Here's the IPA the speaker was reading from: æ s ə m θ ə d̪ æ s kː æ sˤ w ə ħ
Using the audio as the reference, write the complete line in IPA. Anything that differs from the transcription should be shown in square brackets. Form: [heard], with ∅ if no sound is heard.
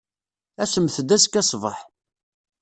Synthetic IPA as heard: æ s ə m θ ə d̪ æ s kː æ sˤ [v] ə ħ